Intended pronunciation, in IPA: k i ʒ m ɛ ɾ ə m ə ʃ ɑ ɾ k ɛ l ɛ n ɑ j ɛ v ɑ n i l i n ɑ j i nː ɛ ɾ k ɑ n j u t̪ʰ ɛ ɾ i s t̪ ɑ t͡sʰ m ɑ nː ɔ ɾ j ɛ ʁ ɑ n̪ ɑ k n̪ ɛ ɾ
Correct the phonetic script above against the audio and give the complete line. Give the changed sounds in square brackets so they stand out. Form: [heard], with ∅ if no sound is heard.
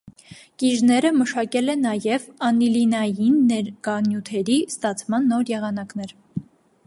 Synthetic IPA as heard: k i ʒ [n] ɛ ɾ ə m ə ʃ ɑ [∅] k ɛ l ɛ n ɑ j ɛ v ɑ n i l i n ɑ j i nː ɛ ɾ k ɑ n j u t̪ʰ ɛ ɾ i s t̪ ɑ t͡sʰ m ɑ nː ɔ ɾ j ɛ ʁ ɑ n̪ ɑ k n̪ ɛ ɾ